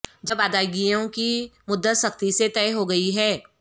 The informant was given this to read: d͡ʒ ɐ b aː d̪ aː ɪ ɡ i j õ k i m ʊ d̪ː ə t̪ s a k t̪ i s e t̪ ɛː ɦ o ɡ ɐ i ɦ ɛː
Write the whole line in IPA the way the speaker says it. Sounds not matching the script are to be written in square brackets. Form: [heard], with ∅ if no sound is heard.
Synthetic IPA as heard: d͡ʒ ɐ b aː d̪ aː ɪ ɡ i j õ k i m ʊ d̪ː ə t̪ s [ɐ] k t̪ i s e t̪ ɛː ɦ o ɡ ɐ i ɦ ɛː